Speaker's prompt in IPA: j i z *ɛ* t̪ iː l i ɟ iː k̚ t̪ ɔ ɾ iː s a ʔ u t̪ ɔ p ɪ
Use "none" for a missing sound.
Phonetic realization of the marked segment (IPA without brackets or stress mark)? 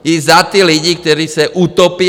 a